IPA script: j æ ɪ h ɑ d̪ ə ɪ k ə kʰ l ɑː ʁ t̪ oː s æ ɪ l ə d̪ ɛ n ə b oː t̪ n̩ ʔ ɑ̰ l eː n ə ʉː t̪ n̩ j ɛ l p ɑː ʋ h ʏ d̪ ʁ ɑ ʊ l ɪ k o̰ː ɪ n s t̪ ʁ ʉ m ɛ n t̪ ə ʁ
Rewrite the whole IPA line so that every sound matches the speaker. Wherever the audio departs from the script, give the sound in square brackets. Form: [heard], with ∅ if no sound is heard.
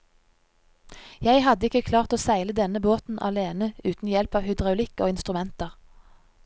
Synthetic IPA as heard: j æ ɪ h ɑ d̪ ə ɪ k ə kʰ l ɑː ʁ t̪ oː s æ ɪ l ə d̪ ɛ n ə b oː t̪ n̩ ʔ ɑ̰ l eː n ə ʉː t̪ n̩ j ɛ l p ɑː ʋ h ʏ d̪ ʁ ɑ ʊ l ɪ k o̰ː ɪ n s t̪ ʁ ʉ m ɛ n t̪ ə ʁ